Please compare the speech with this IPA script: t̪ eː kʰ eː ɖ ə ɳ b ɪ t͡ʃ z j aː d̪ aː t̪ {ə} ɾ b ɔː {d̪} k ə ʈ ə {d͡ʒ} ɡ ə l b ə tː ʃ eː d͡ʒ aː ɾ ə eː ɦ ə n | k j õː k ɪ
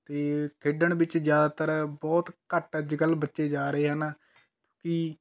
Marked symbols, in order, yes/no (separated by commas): yes, no, yes